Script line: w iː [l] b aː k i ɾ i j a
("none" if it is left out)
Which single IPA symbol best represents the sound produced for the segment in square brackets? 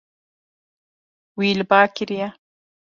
l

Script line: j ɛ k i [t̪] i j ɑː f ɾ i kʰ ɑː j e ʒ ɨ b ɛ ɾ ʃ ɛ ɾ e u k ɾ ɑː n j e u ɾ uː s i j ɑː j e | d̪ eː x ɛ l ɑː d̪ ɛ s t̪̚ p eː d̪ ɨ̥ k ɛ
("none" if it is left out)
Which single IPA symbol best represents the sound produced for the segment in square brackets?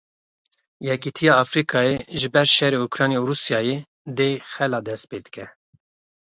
t̪ʰ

